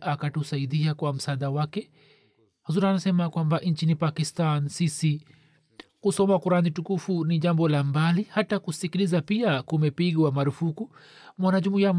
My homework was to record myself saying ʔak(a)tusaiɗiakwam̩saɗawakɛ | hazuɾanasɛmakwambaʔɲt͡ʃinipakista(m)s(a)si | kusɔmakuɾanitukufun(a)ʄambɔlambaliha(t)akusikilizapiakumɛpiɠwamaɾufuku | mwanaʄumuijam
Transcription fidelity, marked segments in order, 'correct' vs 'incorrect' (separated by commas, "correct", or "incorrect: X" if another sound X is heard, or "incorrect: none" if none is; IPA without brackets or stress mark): correct, incorrect: n, incorrect: i, incorrect: i, correct